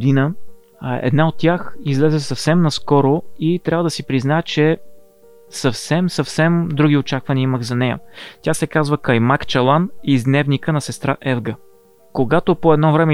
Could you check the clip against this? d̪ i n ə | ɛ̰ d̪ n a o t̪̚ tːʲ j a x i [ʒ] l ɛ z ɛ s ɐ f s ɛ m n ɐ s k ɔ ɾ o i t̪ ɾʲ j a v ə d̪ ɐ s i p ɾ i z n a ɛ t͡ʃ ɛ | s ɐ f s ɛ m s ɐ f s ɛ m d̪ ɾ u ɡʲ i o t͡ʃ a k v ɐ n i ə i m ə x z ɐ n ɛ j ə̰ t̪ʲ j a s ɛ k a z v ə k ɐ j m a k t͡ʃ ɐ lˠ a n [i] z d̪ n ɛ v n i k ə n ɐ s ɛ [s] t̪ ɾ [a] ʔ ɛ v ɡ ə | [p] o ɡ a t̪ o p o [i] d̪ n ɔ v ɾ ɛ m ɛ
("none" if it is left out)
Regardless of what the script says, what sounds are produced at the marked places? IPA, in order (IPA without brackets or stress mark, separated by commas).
z, i, s, a, k, ɛ